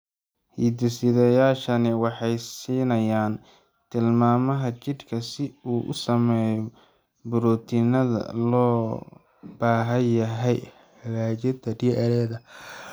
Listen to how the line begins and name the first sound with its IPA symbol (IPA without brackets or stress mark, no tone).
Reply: h